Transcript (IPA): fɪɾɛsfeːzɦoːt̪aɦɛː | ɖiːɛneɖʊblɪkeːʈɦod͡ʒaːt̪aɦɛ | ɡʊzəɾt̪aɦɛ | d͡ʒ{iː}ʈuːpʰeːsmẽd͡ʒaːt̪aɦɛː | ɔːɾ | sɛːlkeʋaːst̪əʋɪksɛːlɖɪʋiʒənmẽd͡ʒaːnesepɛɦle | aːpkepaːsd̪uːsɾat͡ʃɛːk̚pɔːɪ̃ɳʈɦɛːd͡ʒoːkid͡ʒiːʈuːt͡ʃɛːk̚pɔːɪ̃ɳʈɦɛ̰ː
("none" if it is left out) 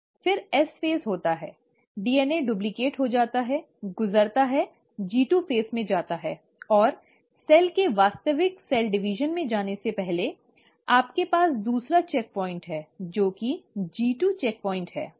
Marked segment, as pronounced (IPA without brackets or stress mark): iː